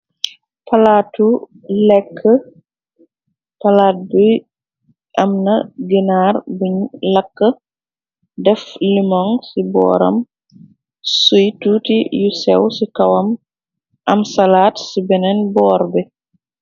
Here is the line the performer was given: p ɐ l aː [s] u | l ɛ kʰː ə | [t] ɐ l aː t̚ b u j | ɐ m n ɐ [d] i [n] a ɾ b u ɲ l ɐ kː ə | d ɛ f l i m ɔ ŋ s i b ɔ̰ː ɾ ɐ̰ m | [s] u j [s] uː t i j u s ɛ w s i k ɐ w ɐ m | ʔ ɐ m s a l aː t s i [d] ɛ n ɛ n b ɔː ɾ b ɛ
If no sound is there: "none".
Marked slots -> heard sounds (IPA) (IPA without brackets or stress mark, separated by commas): t, p, ɡ, n, s, t, b